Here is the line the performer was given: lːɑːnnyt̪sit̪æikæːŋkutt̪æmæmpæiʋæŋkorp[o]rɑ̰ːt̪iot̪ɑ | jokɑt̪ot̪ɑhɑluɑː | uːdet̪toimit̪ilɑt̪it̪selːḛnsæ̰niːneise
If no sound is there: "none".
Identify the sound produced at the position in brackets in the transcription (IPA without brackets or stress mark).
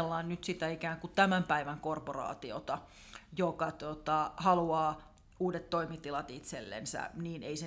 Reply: o